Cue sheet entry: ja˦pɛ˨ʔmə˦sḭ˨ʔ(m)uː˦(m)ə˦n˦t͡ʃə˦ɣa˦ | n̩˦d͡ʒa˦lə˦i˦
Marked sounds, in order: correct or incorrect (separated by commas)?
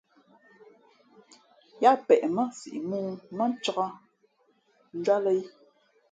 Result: correct, correct